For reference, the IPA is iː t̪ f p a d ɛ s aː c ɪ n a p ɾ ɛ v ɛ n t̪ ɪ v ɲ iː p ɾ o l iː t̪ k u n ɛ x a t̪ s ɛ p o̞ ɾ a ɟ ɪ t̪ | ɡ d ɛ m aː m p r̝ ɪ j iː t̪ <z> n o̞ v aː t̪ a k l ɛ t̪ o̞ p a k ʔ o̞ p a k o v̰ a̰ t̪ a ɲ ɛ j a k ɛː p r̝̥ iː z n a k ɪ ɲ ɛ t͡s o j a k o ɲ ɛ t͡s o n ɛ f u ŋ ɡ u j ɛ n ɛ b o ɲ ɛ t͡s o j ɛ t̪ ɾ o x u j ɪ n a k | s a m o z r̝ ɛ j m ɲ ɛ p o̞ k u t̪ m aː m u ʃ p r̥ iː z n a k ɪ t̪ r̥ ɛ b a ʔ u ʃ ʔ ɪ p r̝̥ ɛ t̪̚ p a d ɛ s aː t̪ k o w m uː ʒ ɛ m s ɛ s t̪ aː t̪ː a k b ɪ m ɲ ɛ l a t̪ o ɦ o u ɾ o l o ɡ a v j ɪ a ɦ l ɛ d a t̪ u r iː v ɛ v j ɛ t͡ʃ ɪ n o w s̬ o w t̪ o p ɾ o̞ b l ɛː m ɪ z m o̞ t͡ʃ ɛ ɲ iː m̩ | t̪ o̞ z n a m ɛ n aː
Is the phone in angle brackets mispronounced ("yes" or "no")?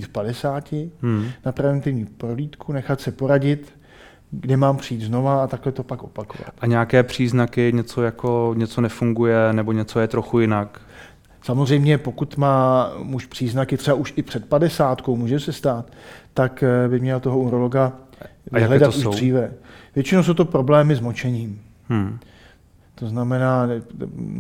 no